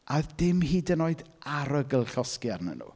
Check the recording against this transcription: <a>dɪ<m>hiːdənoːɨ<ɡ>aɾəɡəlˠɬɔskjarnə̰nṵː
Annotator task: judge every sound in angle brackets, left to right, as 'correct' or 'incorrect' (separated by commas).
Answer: correct, correct, incorrect